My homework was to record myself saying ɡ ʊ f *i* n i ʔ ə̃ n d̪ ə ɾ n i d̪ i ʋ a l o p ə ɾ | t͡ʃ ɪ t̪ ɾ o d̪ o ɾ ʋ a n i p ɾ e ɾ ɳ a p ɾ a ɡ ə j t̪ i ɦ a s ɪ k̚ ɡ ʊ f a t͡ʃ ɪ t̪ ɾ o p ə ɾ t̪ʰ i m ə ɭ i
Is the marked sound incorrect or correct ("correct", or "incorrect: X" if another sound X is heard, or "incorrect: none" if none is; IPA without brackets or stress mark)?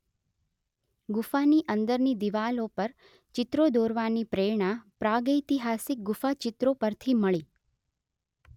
incorrect: a